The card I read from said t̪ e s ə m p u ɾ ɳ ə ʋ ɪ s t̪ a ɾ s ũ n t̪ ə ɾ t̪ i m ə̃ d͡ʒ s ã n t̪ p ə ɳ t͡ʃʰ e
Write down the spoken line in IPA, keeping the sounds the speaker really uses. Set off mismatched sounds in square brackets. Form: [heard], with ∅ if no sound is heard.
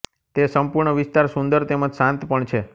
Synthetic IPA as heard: t̪ e s ə m p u ɾ ɳ ə ʋ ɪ s t̪ a ɾ s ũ n [d̪] ə ɾ t̪ [e] m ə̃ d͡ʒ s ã n t̪ p ə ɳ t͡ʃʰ e